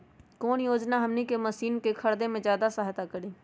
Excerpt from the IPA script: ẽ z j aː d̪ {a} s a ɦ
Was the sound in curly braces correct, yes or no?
yes